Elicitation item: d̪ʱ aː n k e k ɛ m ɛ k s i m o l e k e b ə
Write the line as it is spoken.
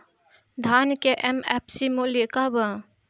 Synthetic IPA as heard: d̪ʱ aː n k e ʔ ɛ m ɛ p s i m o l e k a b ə